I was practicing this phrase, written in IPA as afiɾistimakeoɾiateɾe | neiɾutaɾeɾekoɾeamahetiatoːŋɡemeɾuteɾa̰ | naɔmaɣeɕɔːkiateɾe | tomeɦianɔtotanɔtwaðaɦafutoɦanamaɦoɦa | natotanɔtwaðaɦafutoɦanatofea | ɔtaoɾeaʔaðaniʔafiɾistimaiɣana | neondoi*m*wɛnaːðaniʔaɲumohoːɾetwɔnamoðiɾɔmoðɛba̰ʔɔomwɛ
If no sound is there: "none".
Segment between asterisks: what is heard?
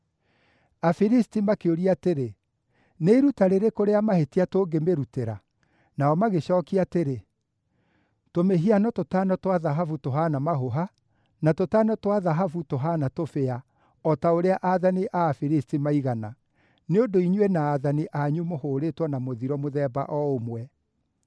ɲ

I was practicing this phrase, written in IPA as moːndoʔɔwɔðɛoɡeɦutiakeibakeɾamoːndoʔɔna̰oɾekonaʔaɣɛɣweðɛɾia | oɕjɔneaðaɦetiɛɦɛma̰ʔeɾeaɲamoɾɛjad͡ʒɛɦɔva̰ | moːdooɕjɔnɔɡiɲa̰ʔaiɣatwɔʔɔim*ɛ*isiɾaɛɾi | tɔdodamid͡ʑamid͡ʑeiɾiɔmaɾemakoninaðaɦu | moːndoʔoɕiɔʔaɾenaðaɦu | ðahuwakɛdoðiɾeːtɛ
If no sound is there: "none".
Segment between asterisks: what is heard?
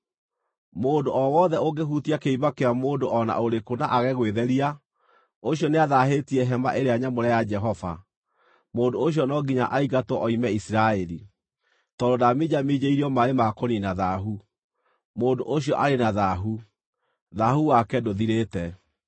ɛ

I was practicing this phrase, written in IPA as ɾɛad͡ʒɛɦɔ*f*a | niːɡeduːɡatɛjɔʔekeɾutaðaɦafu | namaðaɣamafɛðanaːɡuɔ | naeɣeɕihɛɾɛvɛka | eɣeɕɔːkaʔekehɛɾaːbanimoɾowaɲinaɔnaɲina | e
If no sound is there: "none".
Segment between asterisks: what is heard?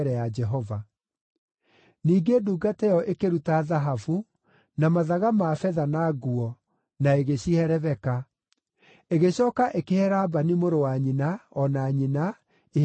v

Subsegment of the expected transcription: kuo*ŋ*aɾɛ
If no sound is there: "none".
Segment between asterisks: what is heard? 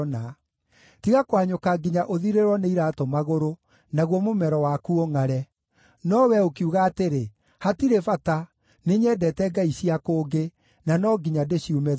ŋ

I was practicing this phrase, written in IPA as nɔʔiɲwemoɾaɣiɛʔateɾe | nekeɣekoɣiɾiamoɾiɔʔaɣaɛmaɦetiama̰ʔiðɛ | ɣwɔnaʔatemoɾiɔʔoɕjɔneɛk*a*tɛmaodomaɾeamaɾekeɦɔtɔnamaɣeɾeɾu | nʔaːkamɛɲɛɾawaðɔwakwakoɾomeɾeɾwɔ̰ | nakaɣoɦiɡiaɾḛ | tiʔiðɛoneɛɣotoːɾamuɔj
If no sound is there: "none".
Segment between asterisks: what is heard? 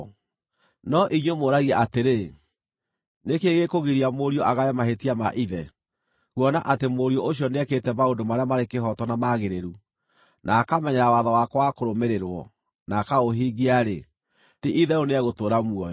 e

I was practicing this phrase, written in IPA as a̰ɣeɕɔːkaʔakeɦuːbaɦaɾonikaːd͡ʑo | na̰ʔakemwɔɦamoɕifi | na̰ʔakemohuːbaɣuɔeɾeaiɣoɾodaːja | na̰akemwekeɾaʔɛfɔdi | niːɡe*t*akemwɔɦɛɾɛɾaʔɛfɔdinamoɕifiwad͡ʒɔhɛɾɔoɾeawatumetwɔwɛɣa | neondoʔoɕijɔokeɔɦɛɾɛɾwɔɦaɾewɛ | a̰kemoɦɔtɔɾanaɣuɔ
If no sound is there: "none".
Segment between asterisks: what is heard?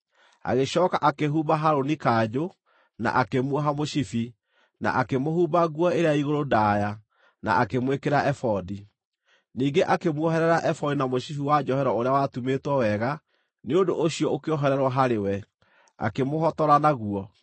ʔ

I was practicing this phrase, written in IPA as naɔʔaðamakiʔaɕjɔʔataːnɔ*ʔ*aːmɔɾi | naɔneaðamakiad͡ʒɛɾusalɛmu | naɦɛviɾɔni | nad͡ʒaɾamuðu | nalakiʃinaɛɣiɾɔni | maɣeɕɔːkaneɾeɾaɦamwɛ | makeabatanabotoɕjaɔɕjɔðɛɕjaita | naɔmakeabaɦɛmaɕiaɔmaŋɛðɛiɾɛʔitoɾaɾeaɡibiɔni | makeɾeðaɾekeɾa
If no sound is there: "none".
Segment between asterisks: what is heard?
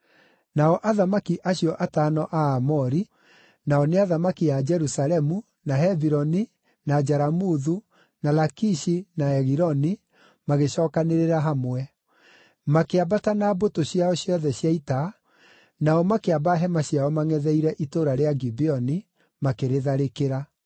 ʔ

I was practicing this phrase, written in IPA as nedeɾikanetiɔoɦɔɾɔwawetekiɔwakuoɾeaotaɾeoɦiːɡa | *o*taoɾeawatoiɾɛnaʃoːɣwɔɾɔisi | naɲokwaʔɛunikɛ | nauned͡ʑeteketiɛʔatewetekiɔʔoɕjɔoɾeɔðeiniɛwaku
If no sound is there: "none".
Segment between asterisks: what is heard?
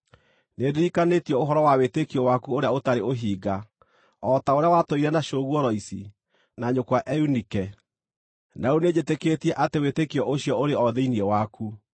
ɔ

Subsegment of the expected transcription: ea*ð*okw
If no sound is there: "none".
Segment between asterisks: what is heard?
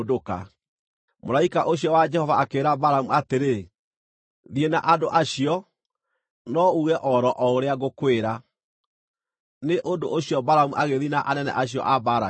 ɣ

